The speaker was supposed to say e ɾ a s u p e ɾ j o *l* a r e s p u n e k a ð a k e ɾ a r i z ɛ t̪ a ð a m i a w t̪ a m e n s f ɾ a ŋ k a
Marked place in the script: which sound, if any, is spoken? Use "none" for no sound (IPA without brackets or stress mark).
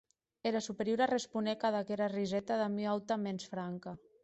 ɾ